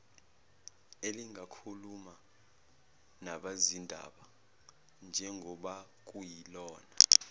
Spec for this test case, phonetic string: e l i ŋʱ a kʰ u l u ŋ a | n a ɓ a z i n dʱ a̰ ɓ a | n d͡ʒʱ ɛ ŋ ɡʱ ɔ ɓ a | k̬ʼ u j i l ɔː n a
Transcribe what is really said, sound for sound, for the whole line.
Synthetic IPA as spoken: e l i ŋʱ a kʰ u l u m a | n a ɓ a z i n dʱ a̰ ɓ a | n d͡ʒʱ ɛ ŋ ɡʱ ɔ ɓ a | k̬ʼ u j i l ɔː n a